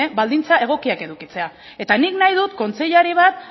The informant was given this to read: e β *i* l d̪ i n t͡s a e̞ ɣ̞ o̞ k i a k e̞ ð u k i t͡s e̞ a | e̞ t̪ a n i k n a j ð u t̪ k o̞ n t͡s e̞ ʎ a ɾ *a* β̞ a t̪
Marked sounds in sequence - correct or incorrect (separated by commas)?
incorrect, incorrect